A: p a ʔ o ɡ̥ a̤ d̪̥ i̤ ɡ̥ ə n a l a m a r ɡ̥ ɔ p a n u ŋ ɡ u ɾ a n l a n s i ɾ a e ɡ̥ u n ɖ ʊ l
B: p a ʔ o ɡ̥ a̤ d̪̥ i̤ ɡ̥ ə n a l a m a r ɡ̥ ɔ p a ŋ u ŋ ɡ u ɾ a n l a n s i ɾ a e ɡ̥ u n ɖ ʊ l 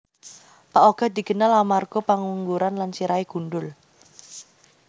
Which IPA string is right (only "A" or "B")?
B